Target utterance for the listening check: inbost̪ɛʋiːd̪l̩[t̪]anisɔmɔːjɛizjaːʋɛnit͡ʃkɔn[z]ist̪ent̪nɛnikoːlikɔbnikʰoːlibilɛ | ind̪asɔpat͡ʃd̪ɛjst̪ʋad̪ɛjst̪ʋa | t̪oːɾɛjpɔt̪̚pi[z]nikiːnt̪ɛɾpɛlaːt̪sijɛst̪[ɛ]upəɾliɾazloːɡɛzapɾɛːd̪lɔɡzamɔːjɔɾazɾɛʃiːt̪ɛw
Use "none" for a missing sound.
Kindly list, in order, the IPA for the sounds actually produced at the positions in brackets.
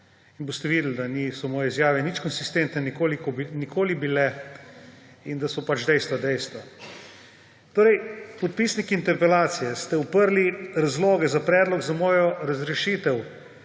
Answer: d̪, s, s, ɛ

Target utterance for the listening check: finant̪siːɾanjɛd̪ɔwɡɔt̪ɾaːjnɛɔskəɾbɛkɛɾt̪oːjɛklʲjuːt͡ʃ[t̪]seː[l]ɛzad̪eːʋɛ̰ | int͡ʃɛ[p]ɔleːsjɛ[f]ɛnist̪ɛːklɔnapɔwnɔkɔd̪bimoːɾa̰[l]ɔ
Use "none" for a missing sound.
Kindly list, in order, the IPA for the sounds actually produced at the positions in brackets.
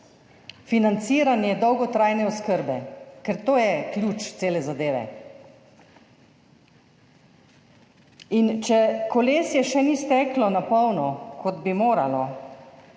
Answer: t̪, l, k, ʃ, l

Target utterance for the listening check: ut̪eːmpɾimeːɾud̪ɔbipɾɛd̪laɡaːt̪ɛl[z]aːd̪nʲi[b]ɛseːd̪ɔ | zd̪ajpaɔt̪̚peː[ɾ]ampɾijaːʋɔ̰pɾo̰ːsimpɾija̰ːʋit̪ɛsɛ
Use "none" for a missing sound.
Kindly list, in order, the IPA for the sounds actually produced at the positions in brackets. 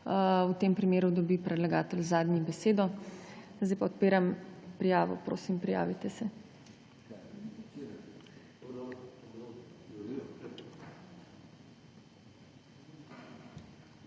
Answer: z, b, ɾ

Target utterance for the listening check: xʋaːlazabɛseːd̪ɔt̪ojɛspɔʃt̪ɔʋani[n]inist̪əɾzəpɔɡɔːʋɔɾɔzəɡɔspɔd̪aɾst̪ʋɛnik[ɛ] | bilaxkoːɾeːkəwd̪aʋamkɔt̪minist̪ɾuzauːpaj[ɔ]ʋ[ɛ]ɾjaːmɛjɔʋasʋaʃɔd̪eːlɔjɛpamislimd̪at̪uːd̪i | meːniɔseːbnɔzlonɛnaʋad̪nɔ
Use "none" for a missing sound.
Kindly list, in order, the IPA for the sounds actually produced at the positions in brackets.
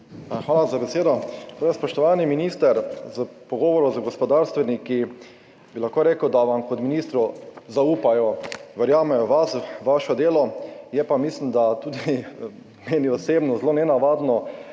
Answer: m, i, ɔ, ɛ

